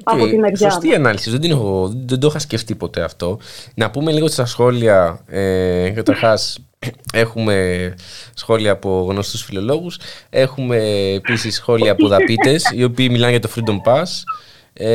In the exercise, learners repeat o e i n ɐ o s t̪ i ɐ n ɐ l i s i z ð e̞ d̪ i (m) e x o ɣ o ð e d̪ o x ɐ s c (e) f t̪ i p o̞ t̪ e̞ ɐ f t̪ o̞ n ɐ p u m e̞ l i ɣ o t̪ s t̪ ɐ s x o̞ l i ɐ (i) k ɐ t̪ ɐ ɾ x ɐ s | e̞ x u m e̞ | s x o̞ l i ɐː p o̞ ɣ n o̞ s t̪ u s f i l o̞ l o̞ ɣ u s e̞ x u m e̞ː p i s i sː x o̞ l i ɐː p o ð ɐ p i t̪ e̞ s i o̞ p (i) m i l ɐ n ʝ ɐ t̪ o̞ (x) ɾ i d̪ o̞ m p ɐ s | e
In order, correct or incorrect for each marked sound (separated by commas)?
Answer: incorrect, correct, incorrect, incorrect, incorrect